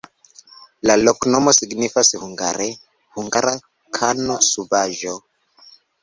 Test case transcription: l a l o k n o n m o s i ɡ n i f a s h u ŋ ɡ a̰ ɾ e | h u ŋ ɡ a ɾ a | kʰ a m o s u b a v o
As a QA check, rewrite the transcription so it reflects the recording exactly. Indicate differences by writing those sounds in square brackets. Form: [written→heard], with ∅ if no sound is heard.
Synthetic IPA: l a l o k n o [n→∅] m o s i ɡ n i f a s h u ŋ ɡ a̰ ɾ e | h u ŋ ɡ a ɾ a | kʰ a [m→n] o s u b a [v→ʒ] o